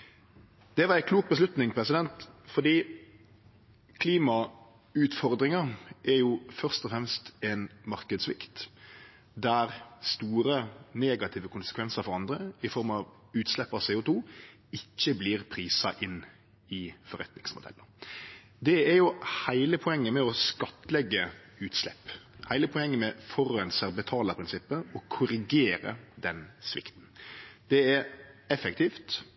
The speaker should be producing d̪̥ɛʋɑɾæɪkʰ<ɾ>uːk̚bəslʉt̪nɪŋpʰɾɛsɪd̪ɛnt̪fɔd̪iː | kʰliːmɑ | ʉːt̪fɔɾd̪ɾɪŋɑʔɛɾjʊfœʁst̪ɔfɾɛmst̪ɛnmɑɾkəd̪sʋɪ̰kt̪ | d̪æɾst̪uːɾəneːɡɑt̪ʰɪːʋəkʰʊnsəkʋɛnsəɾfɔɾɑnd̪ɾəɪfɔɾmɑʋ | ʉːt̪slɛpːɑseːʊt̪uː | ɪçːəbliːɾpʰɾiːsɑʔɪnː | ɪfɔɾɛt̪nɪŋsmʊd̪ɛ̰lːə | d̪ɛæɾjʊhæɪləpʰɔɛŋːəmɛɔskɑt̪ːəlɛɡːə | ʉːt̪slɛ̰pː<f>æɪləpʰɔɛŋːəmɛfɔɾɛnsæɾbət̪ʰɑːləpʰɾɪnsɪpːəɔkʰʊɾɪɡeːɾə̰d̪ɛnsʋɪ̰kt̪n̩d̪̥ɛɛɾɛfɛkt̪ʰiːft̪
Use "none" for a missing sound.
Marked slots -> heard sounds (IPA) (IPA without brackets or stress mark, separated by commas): l, h